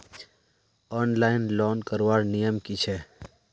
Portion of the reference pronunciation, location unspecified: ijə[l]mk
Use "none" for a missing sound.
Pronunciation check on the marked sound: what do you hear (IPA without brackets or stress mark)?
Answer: none